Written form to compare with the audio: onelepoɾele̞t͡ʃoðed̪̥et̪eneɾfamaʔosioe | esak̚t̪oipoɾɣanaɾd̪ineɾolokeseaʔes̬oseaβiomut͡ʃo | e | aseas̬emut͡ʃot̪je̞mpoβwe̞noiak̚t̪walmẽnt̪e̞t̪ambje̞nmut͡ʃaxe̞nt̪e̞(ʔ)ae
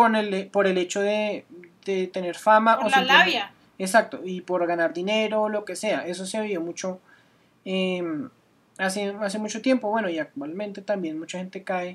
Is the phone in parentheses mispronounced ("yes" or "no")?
yes